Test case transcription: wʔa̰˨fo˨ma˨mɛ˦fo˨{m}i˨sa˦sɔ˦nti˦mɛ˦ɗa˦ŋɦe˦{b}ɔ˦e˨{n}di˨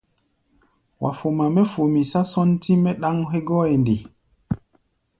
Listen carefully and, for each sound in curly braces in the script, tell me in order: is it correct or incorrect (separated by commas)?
correct, incorrect, correct